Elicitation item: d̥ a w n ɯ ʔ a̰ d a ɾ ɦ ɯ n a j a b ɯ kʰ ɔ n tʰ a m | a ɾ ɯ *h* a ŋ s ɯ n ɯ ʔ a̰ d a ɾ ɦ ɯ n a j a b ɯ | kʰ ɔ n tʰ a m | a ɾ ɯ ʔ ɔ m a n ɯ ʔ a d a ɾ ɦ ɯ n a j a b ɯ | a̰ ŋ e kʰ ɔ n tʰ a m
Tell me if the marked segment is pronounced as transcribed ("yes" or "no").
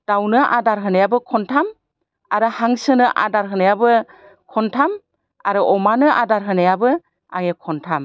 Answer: yes